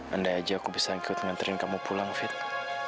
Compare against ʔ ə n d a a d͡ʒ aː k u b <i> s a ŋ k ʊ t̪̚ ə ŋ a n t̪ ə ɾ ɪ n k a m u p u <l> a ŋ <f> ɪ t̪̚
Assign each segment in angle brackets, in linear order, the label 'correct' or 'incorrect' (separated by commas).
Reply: correct, correct, correct